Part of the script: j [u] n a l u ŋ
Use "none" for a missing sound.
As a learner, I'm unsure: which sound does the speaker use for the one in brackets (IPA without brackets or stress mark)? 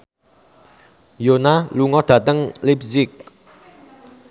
o